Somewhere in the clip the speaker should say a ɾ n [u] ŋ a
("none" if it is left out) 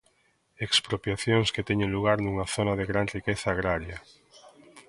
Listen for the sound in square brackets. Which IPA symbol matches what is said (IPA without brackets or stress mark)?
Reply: u